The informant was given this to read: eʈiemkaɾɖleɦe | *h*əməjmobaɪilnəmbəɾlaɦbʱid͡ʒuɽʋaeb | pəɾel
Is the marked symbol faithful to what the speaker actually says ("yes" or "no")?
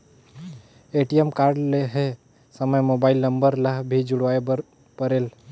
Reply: no